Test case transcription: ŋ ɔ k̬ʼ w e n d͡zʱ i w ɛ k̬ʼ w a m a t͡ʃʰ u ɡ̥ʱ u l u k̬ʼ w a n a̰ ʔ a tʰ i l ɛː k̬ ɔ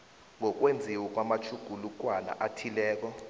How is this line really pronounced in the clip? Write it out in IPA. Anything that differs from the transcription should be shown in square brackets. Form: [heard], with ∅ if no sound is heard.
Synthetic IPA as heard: ŋ ɔ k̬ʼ w e n d͡zʱ i w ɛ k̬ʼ w a m a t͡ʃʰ u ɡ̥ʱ u l u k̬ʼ w a n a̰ ʔ a tʰ i l ɛː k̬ ɔ